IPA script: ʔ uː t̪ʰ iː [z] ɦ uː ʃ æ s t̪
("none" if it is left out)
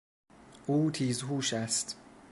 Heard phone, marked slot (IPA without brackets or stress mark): z